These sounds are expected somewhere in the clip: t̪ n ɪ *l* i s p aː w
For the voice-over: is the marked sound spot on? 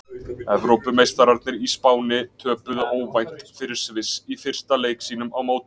no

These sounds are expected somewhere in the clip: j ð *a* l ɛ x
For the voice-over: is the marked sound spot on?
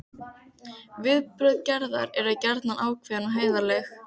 yes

